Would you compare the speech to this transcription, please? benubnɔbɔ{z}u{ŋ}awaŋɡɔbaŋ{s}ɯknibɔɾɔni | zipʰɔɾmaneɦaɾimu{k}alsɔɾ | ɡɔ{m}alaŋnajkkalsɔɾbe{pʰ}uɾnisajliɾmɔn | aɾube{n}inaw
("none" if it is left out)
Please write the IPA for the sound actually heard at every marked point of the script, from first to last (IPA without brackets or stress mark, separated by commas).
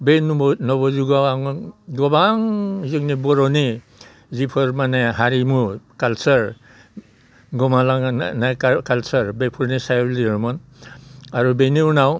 z, ɡ, z, k, m, pʰ, n